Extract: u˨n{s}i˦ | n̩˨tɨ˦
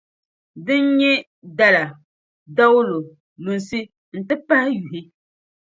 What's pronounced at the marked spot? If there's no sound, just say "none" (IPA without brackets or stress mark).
s